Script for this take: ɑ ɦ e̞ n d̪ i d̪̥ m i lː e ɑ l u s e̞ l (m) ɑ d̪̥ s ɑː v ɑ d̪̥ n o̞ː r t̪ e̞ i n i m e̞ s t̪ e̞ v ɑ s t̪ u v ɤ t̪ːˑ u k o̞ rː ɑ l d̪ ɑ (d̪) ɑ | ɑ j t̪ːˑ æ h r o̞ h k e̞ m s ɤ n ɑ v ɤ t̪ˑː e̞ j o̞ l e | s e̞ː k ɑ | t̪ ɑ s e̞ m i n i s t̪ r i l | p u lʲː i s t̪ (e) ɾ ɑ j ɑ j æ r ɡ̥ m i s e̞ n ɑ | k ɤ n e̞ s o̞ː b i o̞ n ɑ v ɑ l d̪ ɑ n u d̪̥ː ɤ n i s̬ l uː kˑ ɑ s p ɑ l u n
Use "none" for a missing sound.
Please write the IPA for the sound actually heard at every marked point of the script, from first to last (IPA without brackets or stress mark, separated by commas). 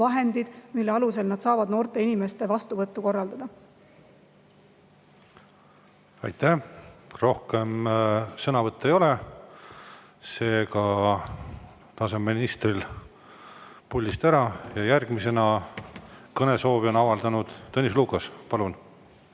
n, d̪, æ